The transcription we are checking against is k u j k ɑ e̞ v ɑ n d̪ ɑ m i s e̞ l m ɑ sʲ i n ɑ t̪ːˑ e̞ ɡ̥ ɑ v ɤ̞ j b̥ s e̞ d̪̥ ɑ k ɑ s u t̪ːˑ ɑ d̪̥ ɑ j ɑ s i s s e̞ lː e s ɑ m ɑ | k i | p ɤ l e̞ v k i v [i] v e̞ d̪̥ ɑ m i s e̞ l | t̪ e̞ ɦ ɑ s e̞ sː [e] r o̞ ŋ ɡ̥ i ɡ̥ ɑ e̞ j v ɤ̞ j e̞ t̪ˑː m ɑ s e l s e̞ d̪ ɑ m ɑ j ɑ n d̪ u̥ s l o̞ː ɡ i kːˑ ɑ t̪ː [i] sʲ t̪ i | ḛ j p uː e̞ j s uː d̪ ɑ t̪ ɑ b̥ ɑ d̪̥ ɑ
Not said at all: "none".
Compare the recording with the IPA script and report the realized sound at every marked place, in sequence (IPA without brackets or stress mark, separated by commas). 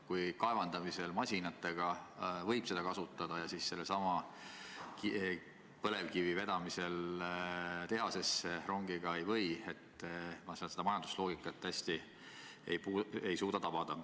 i, e, æ